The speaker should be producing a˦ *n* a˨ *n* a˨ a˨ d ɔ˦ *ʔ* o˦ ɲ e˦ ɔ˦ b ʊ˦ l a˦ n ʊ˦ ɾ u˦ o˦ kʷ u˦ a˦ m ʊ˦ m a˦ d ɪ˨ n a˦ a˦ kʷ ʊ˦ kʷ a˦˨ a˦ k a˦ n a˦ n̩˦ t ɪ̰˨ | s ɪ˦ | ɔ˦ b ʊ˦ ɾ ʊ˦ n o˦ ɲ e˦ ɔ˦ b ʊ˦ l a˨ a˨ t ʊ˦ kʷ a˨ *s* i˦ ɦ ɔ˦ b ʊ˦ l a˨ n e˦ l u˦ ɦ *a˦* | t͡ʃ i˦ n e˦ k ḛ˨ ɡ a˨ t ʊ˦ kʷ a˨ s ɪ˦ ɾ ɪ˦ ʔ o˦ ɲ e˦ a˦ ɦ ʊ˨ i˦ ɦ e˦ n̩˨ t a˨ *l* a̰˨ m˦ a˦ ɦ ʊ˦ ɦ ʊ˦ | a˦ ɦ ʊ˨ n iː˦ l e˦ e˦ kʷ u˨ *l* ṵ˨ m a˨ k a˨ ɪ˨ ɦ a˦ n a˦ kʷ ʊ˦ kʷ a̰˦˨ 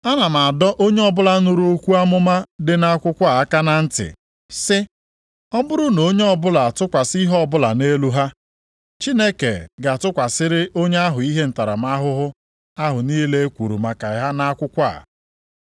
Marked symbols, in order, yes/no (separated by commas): yes, no, yes, yes, yes, no, no